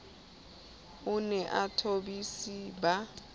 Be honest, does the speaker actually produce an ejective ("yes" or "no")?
no